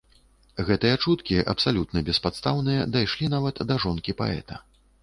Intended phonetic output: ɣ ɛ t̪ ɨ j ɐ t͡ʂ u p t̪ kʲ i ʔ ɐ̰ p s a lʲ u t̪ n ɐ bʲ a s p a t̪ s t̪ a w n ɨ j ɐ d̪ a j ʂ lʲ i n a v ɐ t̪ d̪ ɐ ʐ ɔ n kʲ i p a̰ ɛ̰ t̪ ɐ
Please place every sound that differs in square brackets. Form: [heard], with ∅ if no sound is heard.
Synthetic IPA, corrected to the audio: ɣ ɛ t̪ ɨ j ɐ t͡ʂ u [∅] t̪ kʲ i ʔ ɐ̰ p s a lʲ u t̪ n ɐ bʲ [ɛ] s p a t̪ s t̪ a w n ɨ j ɐ d̪ a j ʂ lʲ i n a v ɐ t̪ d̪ ɐ ʐ ɔ n kʲ i p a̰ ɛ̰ t̪ ɐ